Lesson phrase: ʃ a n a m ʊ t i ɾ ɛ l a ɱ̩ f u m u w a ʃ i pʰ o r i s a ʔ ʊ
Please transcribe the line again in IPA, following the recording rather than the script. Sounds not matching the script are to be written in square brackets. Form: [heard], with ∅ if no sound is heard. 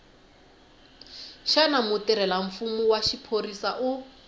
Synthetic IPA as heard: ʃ a n a m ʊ t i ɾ ɛ l a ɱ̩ f u m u w a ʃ i pʰ o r i s a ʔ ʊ